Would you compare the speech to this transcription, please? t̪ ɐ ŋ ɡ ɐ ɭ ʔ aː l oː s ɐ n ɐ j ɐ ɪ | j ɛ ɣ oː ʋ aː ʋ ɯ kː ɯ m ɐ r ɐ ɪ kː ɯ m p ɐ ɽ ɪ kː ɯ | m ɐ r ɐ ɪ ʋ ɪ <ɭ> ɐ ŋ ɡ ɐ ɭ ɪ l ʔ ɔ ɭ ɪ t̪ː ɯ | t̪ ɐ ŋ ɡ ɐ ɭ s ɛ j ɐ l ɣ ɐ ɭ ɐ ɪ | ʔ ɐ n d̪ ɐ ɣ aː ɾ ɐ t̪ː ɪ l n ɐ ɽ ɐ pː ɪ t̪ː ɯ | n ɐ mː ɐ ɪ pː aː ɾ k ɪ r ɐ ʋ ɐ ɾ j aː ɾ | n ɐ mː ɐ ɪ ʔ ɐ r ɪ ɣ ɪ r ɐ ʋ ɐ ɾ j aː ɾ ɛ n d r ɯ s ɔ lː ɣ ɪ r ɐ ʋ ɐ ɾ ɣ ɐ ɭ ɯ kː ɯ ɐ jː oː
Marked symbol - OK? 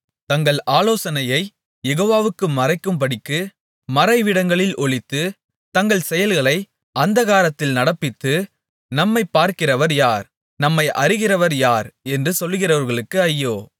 no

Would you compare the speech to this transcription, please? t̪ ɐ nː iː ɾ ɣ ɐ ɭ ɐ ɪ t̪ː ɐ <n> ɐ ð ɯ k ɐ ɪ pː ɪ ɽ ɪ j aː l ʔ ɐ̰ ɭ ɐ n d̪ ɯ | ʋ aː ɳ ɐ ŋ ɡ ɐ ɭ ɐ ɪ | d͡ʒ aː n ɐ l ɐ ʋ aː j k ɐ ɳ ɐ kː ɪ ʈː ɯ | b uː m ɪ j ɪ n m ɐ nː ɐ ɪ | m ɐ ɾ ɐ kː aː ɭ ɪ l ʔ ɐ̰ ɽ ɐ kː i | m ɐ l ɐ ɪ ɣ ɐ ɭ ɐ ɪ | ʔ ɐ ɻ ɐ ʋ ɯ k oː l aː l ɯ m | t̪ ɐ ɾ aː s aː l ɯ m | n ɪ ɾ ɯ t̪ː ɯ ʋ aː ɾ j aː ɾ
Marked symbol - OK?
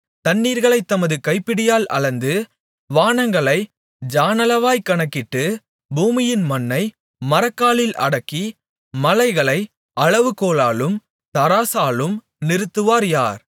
no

